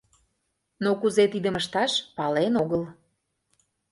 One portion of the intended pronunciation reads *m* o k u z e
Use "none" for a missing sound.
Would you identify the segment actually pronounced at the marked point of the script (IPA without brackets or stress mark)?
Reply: n